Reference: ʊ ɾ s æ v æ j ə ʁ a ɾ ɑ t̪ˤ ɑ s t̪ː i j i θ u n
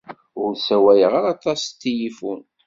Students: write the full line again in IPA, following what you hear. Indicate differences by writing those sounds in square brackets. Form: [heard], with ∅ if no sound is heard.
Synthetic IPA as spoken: ʊ ɾ s æ [w] æ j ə ʁ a ɾ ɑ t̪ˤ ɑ s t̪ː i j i [f] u n

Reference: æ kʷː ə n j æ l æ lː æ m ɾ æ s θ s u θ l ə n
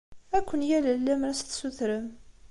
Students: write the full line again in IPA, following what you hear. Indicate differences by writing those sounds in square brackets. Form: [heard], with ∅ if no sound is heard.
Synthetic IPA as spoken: æ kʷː ə n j æ l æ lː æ m ɾ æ s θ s u θ [ɾ] ə [m]

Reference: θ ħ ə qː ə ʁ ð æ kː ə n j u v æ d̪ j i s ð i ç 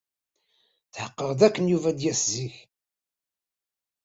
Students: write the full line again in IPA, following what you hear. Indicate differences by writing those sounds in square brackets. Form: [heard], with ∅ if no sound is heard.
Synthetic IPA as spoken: θ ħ ə qː ə ʁ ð æ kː ə n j u v æ d̪ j [æ] s [z] i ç

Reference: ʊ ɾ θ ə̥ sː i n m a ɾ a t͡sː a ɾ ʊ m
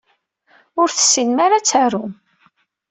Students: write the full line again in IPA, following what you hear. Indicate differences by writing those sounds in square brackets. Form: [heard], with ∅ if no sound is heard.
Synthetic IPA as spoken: ʊ ɾ θ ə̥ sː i n m a ɾ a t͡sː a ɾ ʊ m

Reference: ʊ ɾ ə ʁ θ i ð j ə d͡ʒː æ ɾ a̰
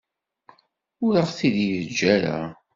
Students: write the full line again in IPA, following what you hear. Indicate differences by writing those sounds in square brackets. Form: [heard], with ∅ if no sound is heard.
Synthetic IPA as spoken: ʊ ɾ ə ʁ θ i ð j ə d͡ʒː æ ɾ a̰

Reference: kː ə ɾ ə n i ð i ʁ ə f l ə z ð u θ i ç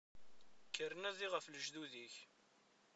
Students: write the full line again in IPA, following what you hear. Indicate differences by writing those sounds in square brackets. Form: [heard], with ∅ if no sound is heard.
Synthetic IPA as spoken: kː ə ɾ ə n [æ] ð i ʁ ə f l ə [ʒ] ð u [ð] i ç

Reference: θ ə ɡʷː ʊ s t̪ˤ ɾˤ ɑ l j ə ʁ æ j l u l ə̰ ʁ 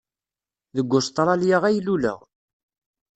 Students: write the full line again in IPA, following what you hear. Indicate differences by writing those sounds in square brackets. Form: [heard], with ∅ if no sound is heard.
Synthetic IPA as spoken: [ð] ə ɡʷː ʊ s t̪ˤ ɾˤ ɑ l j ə ʁ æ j l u l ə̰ ʁ

